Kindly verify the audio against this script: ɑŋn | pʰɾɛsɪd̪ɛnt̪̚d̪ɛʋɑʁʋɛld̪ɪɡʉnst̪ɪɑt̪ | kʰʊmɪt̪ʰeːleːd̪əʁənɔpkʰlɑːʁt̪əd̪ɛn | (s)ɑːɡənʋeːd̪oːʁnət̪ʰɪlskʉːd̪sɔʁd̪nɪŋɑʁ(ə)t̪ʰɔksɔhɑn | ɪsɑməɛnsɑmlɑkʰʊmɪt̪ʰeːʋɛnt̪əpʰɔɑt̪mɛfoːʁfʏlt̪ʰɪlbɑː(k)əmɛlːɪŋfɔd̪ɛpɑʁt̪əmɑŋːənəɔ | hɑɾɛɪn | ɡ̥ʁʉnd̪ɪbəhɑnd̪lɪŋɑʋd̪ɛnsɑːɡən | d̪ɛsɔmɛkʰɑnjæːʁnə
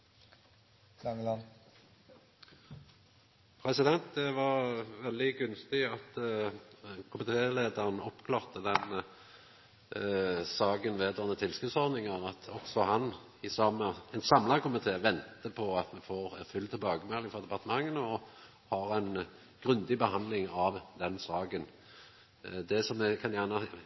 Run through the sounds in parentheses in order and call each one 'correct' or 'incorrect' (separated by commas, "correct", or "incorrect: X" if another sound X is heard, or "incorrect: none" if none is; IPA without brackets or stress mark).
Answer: correct, incorrect: ɑ, incorrect: ɡ